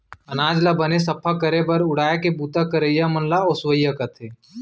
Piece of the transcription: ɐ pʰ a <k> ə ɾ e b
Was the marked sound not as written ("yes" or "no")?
no